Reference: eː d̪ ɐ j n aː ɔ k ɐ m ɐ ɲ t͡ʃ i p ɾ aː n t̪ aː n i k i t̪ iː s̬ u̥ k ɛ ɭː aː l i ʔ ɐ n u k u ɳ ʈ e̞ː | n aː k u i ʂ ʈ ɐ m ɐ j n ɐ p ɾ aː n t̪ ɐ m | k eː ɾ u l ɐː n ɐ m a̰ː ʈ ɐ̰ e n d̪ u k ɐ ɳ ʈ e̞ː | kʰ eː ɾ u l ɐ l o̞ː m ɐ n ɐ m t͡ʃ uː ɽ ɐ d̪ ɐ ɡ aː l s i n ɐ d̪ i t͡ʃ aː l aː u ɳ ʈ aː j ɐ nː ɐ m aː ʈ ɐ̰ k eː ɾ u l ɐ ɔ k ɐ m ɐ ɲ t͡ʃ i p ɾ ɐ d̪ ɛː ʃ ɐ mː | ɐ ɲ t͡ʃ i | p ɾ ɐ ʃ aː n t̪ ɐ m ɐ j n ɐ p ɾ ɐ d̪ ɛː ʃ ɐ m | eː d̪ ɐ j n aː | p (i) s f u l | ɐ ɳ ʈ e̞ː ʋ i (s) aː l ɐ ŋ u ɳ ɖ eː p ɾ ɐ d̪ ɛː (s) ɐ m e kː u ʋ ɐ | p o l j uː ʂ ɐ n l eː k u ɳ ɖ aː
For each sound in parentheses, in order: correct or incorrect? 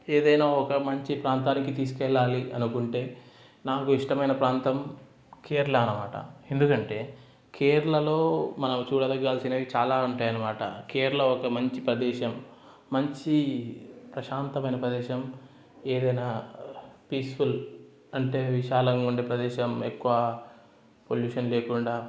incorrect, incorrect, incorrect

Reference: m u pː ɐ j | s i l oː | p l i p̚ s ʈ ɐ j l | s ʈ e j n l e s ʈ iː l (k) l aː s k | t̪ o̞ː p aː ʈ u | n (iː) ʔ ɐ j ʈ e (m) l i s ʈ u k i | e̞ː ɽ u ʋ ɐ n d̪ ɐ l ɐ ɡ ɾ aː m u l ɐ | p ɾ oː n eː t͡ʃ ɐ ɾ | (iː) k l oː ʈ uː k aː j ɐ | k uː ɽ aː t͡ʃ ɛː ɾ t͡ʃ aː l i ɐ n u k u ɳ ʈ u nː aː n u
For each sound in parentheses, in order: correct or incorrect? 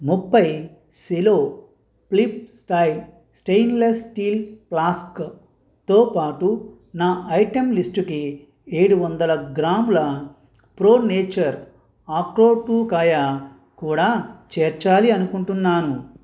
incorrect, incorrect, correct, incorrect

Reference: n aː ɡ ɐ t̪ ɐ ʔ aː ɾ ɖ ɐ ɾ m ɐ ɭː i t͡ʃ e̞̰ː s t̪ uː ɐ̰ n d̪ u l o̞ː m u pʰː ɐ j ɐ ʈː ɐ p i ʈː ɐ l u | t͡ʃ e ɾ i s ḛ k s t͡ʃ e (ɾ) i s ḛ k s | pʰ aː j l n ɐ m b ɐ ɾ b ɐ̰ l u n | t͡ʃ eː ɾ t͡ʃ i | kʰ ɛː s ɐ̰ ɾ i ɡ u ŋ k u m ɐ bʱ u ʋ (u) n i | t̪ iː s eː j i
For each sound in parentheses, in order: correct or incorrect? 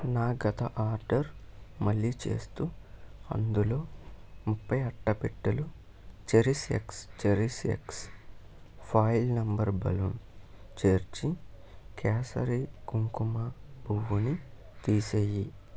correct, correct

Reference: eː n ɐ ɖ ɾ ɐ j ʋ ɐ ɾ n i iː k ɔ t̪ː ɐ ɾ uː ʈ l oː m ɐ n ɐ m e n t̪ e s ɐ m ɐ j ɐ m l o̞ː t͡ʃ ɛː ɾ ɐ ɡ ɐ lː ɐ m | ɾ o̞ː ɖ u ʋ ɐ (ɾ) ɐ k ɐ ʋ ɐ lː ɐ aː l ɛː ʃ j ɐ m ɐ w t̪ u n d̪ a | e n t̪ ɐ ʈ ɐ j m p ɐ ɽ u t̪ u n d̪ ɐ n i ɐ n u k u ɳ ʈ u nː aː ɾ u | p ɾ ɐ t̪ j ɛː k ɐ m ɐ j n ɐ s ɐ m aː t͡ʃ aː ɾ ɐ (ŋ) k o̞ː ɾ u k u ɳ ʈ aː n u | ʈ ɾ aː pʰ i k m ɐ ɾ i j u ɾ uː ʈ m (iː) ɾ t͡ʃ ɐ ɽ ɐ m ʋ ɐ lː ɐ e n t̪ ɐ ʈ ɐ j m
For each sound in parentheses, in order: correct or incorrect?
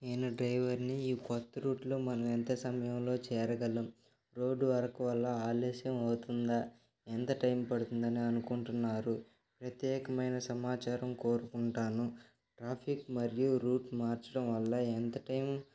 correct, incorrect, incorrect

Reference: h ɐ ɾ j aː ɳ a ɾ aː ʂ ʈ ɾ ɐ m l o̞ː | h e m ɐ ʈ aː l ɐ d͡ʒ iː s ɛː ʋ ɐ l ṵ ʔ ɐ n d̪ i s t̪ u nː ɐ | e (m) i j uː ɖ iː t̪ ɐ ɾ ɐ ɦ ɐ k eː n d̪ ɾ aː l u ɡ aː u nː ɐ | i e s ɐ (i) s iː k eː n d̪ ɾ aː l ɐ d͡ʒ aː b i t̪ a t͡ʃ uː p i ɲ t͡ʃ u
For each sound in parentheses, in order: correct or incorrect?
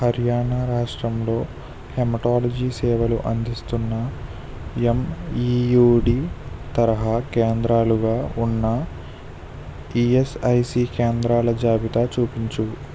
correct, incorrect

